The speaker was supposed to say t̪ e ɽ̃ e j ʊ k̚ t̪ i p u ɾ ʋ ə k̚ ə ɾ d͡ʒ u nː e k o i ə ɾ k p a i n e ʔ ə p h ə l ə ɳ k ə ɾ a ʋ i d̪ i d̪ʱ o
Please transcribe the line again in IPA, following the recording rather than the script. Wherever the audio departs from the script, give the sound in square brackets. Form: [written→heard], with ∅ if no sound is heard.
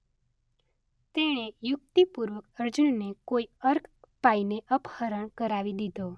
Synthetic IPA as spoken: t̪ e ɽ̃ e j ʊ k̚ t̪ i p u ɾ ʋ ə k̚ ə ɾ d͡ʒ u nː e k o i ə ɾ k p a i n e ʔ ə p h ə [l→ɾ] ə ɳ k ə ɾ a ʋ i d̪ i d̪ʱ o